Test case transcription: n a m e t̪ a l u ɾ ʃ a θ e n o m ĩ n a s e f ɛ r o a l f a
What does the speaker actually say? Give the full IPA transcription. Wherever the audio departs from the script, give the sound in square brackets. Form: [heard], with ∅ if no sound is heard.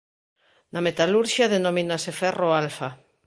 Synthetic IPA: n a m e t̪ a l u ɾ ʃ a [ð] e n o m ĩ n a s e f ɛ r o a l f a